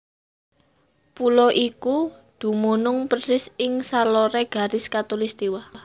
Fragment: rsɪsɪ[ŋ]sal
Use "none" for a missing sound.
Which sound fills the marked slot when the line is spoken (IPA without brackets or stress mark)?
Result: ŋ